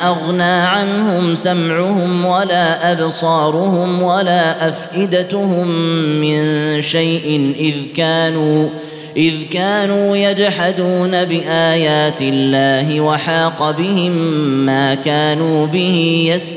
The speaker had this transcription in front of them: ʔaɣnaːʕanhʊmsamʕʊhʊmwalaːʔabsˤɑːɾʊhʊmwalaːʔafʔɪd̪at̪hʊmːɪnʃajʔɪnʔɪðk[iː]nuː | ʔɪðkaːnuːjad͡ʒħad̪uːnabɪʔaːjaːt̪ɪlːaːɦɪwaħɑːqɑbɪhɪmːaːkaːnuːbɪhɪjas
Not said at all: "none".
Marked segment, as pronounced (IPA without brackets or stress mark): aː